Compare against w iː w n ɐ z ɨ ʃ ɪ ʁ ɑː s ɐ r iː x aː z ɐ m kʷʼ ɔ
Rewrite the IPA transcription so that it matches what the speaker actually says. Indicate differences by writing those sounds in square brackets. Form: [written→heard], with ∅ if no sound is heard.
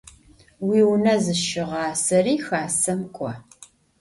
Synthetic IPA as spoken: w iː w n ɐ z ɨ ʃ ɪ ʁ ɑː s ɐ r iː x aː [z→s] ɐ m kʷʼ ɔ